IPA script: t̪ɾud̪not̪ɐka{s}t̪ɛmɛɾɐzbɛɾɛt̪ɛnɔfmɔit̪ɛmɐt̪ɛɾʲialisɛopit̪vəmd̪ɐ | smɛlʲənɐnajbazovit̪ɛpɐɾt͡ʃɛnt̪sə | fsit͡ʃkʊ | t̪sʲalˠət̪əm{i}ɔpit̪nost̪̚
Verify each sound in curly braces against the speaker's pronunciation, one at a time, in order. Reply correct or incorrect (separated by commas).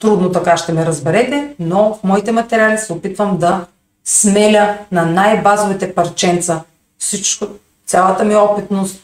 incorrect, correct